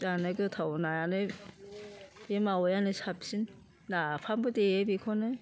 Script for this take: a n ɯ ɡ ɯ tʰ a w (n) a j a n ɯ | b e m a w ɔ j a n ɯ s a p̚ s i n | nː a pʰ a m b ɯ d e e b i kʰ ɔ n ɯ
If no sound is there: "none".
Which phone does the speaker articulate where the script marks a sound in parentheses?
n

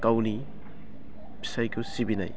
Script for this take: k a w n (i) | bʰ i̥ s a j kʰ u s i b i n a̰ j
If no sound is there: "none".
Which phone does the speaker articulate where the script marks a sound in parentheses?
i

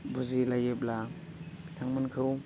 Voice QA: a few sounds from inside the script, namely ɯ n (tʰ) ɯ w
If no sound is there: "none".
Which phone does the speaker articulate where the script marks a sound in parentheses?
kʰ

